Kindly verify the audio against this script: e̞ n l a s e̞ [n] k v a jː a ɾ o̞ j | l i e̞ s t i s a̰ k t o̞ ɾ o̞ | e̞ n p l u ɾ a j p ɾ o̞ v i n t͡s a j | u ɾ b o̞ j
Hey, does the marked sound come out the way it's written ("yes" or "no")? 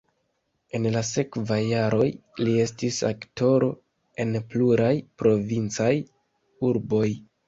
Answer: no